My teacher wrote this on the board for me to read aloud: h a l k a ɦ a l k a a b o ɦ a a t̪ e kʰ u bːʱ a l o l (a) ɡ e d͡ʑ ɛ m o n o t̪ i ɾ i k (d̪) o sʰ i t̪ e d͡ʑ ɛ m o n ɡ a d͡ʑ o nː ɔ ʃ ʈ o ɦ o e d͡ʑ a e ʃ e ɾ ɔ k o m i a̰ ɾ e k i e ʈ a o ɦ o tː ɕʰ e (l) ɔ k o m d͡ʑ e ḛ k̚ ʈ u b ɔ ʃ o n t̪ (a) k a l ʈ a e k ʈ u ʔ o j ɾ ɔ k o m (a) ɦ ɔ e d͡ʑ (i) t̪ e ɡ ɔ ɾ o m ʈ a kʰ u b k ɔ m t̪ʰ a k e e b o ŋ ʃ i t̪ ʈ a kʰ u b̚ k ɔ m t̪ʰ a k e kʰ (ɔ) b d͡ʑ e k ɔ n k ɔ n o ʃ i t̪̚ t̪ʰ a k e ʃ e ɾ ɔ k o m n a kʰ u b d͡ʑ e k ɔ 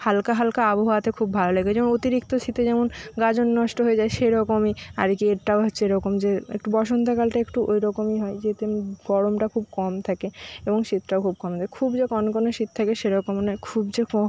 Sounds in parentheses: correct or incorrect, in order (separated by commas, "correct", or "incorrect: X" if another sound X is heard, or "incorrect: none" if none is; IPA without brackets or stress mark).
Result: incorrect: e, incorrect: t̪, incorrect: ɾ, correct, incorrect: i, incorrect: e, incorrect: u